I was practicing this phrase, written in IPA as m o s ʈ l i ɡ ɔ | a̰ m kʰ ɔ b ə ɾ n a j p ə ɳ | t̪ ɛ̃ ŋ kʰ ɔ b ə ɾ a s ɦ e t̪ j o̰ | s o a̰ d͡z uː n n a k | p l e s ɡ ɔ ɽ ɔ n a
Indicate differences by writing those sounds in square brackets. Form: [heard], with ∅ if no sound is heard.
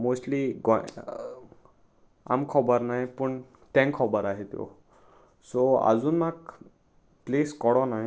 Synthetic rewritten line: m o s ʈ l i ɡ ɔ | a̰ m kʰ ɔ b ə ɾ n a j p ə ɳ | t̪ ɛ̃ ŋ kʰ ɔ b ə ɾ a [∅] ɦ e t̪ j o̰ | s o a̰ d͡z uː n [m] a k | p l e s [k] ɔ ɽ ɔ n a